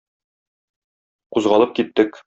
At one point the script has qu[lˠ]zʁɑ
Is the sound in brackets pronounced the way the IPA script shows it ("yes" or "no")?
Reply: no